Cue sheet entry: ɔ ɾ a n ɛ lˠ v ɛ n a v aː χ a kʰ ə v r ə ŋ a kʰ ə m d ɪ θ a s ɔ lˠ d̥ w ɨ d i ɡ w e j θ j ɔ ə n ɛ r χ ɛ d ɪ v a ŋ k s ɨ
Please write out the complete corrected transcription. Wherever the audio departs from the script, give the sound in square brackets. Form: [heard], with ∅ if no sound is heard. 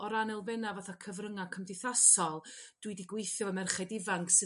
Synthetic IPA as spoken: ɔ ɾ a n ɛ lˠ v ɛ n a v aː [θ] a kʰ ə v r ə ŋ a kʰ ə m d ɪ θ a s ɔ lˠ d̥ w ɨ d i ɡ w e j θ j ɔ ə [m] ɛ r χ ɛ d ɪ v a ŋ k s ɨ